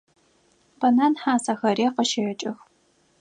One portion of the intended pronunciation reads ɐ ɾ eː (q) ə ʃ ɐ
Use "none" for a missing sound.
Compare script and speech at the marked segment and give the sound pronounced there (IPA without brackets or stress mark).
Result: q